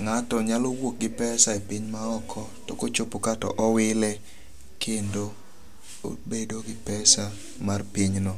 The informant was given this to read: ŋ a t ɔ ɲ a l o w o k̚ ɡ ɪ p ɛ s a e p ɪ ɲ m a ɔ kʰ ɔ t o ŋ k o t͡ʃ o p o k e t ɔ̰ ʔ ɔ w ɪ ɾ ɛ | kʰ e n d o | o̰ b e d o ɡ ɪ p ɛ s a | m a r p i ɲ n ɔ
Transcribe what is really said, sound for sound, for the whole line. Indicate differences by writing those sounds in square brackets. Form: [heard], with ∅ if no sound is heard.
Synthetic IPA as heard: ŋ a t ɔ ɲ a l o w o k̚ ɡ ɪ p ɛ s a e p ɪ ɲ m a ɔ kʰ ɔ t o [∅] k o t͡ʃ o p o k [a] t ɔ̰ ʔ ɔ w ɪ [l] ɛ | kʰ e n d o | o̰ b e d o ɡ ɪ p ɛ s a | m a r p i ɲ n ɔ